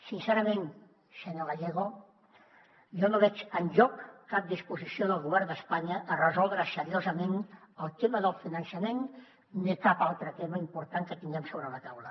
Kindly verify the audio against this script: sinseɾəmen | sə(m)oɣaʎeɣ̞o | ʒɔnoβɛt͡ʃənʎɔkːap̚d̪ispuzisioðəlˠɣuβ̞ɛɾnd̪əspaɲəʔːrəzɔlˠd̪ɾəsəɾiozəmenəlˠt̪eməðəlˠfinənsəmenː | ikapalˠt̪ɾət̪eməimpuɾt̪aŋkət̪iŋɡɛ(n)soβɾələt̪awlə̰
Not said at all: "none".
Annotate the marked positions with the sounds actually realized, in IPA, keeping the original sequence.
ɲ, m

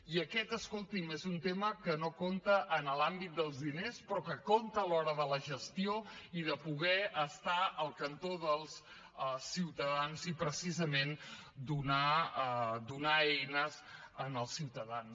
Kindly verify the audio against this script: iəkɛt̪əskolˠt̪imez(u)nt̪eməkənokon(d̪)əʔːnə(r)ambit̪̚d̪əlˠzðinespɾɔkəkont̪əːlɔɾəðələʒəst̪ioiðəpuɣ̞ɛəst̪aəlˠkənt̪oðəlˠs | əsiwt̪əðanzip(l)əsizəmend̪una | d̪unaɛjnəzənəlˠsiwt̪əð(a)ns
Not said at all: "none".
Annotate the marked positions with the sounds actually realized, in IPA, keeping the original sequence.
u, t̪, l, ɾ, a

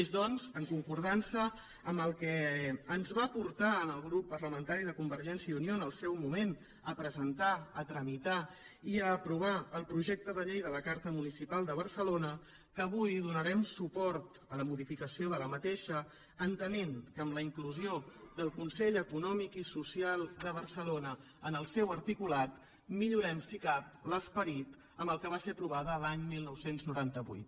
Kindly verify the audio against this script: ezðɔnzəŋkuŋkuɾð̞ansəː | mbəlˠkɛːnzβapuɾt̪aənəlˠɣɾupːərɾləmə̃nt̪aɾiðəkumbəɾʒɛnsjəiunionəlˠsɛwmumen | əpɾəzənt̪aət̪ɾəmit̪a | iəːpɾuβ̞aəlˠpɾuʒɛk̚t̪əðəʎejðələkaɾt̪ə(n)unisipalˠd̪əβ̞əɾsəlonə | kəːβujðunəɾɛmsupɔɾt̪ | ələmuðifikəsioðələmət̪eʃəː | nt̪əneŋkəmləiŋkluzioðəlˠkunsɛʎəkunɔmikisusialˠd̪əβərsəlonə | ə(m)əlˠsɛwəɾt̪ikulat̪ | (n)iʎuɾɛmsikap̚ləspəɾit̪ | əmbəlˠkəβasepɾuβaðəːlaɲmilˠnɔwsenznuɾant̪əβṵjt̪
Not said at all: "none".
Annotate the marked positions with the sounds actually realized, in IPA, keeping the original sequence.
m, n, m

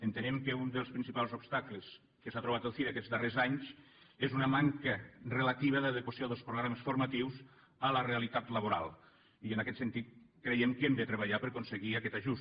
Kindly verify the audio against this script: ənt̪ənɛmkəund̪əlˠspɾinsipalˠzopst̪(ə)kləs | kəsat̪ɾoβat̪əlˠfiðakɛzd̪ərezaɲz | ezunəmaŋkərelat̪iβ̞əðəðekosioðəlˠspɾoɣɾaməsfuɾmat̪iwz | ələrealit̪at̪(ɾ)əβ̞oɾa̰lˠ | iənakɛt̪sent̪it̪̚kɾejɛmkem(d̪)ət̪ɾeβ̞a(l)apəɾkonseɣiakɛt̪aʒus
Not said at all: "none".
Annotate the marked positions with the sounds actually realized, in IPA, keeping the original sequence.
a, l, d̪, ʎ

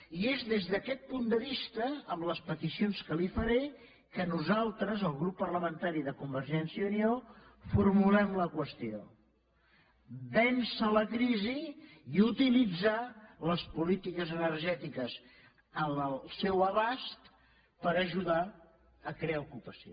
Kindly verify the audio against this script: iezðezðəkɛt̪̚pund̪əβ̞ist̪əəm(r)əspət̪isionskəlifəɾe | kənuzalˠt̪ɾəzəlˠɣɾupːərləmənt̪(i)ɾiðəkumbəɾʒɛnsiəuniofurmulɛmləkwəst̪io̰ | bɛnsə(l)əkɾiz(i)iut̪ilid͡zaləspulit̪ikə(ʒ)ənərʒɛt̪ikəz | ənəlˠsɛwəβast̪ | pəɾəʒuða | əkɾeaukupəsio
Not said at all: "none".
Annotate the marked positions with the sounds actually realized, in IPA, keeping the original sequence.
l, a, l, i, z

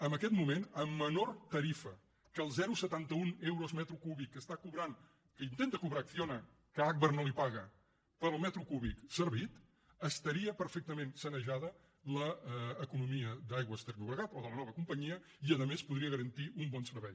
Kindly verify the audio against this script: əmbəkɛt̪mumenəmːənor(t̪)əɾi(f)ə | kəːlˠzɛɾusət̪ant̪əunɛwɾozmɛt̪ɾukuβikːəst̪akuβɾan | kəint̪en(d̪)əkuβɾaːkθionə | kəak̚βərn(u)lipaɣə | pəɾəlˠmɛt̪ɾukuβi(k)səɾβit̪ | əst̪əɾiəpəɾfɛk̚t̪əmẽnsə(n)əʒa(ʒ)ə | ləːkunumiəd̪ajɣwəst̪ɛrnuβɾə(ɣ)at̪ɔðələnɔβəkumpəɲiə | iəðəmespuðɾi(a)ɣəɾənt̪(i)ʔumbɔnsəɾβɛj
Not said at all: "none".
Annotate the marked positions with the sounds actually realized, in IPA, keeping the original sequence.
t̪, f, t̪, o, k, n, ð, ɣ, ə, i

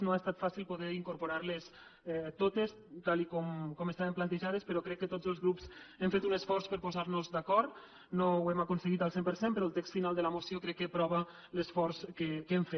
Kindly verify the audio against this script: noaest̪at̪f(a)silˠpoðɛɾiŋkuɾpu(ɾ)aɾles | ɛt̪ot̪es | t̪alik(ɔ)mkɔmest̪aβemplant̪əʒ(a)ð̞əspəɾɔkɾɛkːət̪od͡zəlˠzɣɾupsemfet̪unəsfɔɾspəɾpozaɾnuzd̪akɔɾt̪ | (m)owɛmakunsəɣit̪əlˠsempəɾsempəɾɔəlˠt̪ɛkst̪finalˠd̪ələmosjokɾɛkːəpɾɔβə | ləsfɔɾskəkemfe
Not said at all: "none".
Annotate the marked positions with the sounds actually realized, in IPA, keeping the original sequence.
a, ɾ, ɔ, a, n

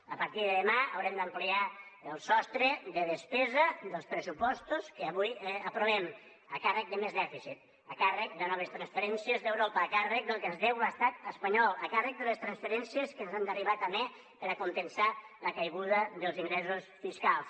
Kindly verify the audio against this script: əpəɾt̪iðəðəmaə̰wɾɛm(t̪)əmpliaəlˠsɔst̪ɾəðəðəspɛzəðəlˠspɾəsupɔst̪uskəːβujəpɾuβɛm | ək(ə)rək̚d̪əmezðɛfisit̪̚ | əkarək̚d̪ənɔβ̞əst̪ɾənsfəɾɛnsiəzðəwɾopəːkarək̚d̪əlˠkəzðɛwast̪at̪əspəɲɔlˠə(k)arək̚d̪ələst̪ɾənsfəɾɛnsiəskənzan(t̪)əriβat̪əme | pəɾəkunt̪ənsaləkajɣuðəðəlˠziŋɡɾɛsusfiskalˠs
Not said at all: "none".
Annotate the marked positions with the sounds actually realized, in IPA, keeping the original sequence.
d̪, a, k, d̪

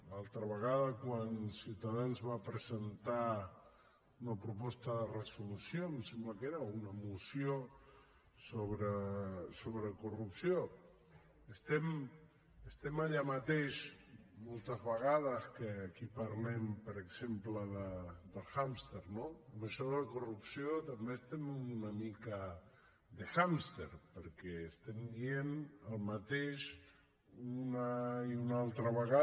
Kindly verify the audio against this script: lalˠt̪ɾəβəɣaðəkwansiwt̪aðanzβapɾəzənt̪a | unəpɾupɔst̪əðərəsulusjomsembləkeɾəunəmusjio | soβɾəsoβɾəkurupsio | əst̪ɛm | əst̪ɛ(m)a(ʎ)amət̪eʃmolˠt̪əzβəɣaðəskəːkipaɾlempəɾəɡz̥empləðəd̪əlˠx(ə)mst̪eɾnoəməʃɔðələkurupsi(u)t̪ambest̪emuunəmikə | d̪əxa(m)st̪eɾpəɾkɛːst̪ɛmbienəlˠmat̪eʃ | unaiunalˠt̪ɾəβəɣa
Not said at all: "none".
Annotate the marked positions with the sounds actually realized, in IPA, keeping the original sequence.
m, ʎ, a, o, m

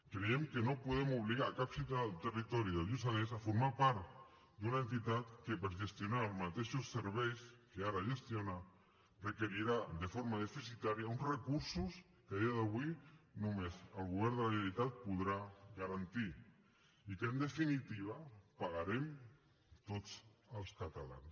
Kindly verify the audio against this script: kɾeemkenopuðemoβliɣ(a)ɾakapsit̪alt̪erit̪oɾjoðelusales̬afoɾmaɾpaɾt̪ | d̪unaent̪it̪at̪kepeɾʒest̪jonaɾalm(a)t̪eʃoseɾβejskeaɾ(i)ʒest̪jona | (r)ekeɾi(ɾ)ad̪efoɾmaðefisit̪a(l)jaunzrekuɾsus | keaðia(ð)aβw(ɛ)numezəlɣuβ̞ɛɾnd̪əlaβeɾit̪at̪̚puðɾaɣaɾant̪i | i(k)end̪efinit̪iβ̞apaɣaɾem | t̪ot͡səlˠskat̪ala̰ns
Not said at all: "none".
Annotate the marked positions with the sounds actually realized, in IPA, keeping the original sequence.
a, a, a, r, ɾ, ɾ, ð, i, k

